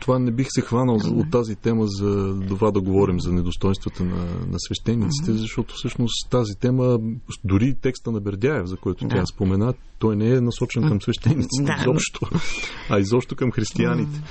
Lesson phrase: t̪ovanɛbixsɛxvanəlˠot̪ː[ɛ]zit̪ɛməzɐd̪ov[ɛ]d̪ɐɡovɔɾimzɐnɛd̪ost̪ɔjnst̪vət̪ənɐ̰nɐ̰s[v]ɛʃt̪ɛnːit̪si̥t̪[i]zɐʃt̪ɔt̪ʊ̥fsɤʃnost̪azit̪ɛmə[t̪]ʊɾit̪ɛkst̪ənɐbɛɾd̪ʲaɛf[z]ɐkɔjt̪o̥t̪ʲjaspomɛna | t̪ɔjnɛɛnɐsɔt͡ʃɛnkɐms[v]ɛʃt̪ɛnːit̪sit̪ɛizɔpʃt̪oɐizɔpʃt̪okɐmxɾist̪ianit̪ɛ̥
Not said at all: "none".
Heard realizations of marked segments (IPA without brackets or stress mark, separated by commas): a, a, v, ɛ, d̪, z, v